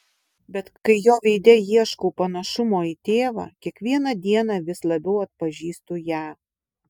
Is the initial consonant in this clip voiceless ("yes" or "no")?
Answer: no